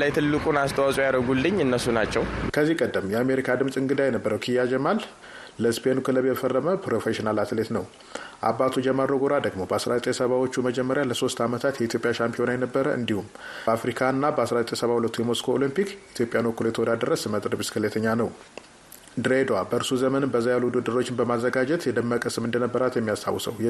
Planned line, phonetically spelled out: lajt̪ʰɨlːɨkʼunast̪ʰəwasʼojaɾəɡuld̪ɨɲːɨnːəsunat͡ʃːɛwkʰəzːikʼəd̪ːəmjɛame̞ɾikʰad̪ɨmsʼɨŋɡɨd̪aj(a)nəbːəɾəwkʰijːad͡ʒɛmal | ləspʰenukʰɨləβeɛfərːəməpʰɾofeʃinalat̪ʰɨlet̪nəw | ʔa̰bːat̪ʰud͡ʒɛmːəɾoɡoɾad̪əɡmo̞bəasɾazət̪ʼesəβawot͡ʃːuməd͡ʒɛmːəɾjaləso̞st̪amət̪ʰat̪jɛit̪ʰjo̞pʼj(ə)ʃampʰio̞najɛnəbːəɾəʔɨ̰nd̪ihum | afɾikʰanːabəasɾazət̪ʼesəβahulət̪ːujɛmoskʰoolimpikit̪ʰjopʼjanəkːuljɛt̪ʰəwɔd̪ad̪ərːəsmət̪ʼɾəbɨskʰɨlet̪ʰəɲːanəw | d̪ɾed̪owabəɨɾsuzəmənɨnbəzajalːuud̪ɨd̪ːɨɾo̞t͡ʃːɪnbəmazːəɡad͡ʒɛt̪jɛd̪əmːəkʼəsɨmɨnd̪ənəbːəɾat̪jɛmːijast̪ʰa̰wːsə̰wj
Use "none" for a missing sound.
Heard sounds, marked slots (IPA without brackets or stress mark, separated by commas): ɛ, a